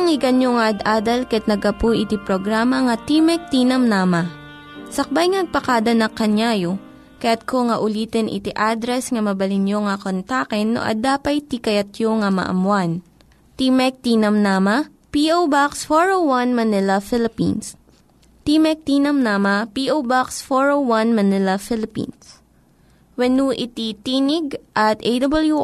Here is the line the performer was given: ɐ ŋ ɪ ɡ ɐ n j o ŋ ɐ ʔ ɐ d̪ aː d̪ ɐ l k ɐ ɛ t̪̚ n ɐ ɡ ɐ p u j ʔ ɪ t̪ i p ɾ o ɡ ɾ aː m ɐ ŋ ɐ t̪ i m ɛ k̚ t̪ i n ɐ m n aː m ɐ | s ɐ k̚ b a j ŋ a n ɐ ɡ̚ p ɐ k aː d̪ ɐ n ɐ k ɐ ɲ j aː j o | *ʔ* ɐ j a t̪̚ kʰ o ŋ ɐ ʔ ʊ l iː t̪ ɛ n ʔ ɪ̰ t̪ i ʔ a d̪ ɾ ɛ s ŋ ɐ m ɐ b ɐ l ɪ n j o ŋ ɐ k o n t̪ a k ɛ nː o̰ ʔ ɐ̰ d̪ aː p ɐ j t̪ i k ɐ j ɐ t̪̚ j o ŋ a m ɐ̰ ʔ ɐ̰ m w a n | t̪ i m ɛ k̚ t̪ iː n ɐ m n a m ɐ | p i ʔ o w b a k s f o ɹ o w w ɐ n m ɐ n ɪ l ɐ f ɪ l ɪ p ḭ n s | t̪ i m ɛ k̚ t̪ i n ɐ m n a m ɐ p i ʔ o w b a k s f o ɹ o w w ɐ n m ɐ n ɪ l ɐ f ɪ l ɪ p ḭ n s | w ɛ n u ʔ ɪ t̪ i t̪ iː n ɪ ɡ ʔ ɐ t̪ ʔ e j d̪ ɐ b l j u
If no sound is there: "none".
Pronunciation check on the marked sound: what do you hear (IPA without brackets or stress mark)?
k